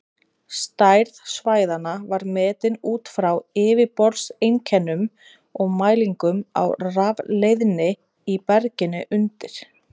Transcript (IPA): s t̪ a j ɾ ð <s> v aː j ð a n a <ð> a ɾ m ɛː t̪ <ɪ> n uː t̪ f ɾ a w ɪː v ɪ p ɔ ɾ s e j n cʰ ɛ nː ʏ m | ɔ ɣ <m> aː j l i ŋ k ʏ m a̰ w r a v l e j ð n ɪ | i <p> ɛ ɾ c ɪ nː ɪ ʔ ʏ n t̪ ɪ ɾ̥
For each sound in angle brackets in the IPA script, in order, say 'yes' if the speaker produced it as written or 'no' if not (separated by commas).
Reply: yes, no, yes, yes, yes